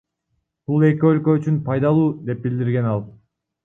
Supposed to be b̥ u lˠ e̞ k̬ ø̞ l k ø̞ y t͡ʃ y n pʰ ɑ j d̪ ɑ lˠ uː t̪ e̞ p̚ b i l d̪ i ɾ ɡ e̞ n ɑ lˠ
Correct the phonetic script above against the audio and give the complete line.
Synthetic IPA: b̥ u lˠ e̞ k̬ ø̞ l k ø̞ y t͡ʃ y n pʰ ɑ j d̪ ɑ lˠ uː d̪ e̞ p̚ b i l d̪ i ɾ ɡ e̞ n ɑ lˠ